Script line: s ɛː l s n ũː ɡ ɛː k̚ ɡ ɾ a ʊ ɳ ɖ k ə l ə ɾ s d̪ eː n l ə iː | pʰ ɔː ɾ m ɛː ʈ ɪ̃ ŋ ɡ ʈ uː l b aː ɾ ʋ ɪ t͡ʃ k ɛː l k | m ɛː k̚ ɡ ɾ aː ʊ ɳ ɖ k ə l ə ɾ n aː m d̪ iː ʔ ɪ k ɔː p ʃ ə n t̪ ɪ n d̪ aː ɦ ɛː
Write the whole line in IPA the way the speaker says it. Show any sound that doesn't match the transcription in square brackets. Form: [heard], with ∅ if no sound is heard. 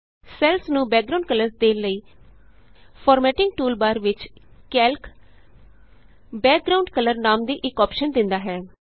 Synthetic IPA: s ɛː l s n ũː [b] ɛː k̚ ɡ ɾ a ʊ ɳ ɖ k ə l ə ɾ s d̪ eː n l ə iː | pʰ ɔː ɾ m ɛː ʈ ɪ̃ ŋ ɡ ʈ uː l b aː ɾ ʋ ɪ t͡ʃ k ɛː l k | [b] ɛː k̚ ɡ ɾ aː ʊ ɳ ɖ k ə l ə ɾ n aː m d̪ iː ʔ ɪ k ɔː p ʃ ə n [d̪] ɪ n d̪ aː ɦ ɛː